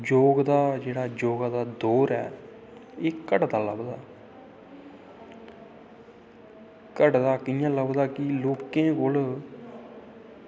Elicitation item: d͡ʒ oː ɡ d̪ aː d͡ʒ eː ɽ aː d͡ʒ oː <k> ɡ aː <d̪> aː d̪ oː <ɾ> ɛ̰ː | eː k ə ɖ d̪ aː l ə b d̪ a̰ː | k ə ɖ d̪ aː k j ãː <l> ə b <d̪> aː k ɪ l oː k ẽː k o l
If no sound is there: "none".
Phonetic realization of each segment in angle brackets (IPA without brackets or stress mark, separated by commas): none, d̪, ɾ, l, d̪